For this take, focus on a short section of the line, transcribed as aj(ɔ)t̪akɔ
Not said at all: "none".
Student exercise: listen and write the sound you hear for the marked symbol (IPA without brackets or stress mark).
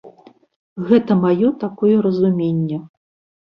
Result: ɔ